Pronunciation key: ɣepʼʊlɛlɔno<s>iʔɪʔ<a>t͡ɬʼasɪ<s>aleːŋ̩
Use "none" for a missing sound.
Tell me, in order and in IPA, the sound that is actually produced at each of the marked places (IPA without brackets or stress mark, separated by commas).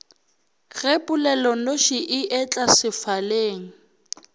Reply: ʃ, ɛ, f